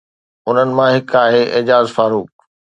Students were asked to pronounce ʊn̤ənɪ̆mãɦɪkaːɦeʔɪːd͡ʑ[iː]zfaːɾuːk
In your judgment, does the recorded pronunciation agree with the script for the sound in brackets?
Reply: no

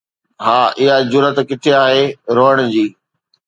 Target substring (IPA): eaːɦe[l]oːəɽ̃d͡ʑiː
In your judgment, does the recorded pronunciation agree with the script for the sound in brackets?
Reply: no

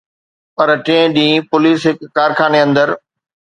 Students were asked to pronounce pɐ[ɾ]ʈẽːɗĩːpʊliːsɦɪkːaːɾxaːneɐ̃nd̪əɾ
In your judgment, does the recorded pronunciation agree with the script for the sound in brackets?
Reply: yes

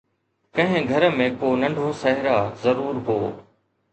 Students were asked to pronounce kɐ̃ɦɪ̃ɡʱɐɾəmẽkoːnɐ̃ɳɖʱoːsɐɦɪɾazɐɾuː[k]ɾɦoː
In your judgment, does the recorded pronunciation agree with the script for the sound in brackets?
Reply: no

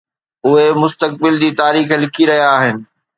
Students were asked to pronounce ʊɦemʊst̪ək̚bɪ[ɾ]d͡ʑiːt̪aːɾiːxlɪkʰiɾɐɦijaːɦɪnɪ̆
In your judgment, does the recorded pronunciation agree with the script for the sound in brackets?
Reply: no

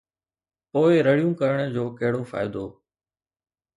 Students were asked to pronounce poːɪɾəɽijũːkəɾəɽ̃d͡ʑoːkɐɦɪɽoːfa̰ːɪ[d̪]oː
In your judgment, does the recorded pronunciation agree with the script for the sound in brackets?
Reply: yes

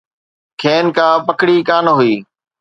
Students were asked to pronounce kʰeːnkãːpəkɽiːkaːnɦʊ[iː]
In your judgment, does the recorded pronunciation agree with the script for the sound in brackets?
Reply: yes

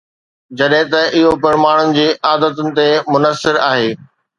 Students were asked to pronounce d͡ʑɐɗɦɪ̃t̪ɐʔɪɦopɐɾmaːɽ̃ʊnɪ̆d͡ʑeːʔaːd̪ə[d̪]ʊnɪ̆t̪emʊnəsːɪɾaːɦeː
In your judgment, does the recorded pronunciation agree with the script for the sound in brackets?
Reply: no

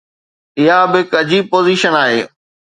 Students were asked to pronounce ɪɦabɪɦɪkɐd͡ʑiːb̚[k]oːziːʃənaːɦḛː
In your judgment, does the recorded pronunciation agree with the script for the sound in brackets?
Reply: no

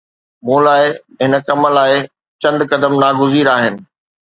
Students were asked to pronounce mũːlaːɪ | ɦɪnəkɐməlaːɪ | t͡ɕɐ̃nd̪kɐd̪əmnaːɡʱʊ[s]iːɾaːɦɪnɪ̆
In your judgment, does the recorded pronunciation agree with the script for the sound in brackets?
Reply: no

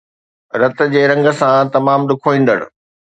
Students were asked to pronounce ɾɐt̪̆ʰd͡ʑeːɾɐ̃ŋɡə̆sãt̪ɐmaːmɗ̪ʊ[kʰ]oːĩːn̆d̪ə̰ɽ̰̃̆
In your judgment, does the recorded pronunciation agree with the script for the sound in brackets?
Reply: yes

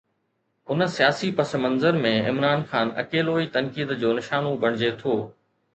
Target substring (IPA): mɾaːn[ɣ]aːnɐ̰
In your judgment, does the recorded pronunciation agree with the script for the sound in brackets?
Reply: no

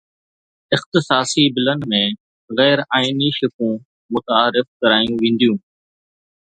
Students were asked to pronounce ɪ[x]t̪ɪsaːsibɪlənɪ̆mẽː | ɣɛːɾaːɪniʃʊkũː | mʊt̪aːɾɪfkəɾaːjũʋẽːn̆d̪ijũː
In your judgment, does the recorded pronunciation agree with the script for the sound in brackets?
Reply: yes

